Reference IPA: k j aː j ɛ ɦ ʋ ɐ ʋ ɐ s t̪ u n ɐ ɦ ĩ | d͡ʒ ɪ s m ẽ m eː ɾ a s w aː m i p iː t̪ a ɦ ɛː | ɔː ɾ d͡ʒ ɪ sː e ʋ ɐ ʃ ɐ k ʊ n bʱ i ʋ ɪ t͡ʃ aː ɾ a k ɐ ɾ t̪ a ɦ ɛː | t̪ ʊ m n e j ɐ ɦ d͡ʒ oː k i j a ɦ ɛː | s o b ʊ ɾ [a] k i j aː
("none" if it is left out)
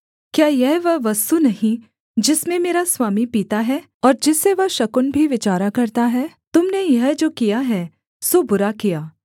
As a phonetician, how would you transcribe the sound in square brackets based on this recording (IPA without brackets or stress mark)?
a